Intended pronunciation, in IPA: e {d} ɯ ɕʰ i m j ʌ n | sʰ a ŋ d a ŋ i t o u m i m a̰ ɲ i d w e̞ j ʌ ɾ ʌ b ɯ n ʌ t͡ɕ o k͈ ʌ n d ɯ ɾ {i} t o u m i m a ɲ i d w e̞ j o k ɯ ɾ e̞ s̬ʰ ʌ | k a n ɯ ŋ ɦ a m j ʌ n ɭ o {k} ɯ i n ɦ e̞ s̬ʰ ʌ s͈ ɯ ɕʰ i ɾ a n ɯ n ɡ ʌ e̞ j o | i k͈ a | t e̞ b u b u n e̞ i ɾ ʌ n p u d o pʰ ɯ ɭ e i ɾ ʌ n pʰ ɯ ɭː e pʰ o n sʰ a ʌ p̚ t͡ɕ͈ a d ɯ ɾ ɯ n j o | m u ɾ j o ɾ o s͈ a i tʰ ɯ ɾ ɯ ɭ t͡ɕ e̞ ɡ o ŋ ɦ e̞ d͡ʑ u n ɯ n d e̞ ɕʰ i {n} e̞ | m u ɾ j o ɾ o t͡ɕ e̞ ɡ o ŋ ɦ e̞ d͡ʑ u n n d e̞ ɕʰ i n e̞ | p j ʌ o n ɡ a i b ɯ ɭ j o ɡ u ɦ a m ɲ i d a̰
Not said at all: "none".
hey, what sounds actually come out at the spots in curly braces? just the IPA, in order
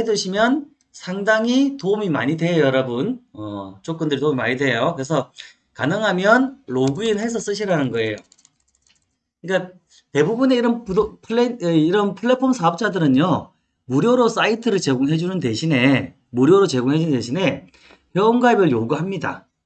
d, i, ɡ, n

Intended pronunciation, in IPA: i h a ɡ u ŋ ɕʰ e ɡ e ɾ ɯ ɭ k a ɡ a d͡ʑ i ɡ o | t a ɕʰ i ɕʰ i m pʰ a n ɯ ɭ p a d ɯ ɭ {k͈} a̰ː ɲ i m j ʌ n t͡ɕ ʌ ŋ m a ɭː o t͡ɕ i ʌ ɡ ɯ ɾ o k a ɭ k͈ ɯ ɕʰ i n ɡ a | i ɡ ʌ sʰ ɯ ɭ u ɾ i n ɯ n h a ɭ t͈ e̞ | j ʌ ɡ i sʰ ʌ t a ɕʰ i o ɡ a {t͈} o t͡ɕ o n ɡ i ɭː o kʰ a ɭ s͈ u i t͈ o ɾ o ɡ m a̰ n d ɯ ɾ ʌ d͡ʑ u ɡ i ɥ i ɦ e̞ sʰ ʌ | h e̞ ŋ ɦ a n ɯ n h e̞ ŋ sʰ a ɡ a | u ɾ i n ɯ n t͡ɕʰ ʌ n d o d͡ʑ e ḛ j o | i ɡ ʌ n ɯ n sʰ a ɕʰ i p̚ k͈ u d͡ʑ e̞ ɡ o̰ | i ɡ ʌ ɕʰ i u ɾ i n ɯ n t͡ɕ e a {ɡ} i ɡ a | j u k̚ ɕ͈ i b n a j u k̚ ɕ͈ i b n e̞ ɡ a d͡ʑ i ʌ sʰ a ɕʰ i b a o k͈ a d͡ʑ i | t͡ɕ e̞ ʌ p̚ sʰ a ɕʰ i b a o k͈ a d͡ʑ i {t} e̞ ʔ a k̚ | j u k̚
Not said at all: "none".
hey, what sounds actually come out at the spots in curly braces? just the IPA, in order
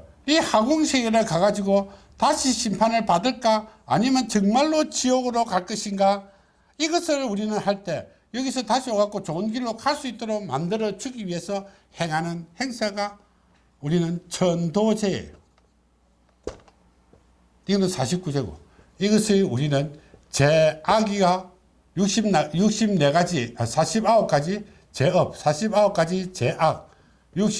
k͈, k͈, ɡ, t͡ɕ

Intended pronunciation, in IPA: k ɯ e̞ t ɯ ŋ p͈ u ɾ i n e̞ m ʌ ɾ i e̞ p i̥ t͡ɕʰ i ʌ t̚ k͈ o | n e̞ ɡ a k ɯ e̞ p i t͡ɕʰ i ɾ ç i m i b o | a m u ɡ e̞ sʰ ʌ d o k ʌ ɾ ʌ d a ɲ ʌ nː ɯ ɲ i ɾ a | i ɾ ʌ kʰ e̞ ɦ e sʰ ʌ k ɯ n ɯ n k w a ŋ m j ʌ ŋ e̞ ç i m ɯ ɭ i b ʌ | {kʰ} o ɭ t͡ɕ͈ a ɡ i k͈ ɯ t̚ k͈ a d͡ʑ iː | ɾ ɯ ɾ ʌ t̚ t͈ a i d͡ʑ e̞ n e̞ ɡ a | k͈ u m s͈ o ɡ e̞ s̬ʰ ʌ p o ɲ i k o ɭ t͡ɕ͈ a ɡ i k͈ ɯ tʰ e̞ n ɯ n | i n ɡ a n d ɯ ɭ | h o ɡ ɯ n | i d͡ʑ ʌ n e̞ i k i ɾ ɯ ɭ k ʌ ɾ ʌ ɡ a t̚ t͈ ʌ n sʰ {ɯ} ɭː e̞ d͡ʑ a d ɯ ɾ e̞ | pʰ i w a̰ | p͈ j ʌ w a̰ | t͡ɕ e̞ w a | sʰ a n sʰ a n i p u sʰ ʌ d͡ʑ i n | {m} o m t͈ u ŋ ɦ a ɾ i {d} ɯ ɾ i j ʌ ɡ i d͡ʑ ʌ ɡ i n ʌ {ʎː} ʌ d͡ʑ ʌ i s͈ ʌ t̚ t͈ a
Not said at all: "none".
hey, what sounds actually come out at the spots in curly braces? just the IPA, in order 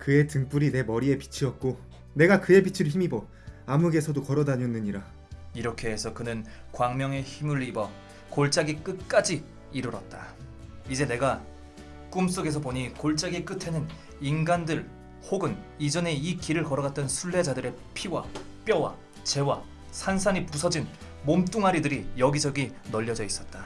k, u, m, d, ʎː

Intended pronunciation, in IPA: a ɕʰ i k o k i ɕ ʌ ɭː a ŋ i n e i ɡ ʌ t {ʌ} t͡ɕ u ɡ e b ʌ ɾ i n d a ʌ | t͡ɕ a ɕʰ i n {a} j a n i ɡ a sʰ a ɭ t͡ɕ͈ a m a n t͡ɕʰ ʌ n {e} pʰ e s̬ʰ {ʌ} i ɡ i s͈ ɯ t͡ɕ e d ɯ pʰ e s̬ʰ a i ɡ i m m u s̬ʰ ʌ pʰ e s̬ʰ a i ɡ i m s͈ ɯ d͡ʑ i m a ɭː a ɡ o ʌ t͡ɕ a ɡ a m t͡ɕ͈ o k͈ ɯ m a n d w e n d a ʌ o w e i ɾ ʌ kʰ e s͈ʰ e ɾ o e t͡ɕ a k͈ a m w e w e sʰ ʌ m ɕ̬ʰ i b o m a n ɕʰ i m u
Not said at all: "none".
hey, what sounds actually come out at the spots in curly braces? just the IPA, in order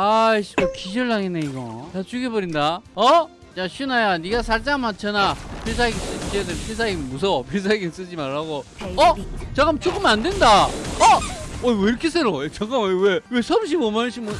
a, a, a, a

